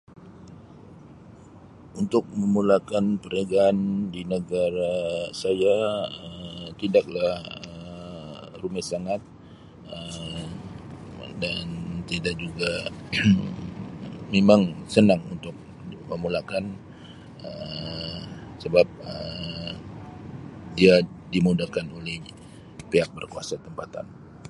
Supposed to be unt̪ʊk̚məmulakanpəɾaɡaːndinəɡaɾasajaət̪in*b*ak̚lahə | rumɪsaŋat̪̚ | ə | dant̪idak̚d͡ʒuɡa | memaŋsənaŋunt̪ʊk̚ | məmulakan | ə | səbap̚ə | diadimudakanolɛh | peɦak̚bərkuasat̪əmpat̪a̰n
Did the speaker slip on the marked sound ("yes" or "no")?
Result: yes